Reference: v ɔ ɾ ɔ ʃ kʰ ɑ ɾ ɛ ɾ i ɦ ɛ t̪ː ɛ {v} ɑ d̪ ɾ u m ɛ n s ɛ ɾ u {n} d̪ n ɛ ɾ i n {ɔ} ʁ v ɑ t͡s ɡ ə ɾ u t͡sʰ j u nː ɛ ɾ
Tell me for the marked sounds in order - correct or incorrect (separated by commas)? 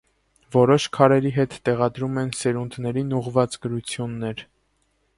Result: incorrect, correct, incorrect